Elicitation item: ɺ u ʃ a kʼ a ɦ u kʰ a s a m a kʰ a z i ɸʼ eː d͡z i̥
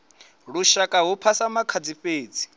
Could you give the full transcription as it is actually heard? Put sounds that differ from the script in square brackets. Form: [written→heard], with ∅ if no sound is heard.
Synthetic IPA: ɺ u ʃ a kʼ a ɦ u [kʰ→pʰ] a s a m a kʰ a [z→d͡z] i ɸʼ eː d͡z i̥